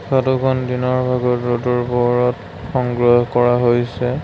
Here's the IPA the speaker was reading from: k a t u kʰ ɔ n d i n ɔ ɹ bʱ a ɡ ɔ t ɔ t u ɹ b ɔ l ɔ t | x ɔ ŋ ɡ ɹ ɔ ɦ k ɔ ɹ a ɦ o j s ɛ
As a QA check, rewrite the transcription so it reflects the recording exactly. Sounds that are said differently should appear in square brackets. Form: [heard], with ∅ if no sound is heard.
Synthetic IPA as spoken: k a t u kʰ ɔ n d i n ɔ ɹ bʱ a ɡ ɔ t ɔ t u ɹ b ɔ [ɹ] ɔ t | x ɔ ŋ ɡ ɹ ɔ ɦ k ɔ ɹ a ɦ o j s ɛ